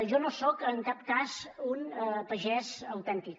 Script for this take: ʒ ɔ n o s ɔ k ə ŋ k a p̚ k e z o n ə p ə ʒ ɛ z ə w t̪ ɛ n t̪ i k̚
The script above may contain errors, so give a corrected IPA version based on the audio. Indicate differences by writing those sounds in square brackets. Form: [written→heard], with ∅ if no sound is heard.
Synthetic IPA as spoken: ʒ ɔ n o s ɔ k ə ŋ k a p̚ k [e→a] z [o→u] n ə p ə ʒ ɛ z ə w t̪ ɛ n t̪ i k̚